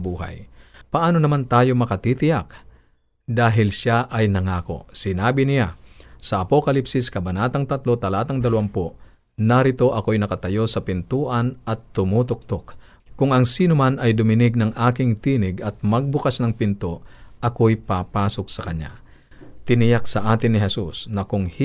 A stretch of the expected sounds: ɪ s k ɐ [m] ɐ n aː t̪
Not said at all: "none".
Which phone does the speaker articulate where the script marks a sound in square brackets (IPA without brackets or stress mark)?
b